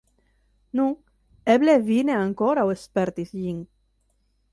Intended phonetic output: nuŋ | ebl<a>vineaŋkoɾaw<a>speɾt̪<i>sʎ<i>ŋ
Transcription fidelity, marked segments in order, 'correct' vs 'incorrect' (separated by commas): incorrect, incorrect, correct, correct